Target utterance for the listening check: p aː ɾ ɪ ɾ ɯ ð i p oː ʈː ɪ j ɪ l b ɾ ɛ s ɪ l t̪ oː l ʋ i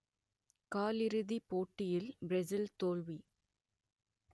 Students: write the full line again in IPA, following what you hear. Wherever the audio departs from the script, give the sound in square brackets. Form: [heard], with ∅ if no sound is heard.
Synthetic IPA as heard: [k] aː [l] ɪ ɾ ɯ ð i p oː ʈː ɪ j ɪ l b ɾ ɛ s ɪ l t̪ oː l ʋ i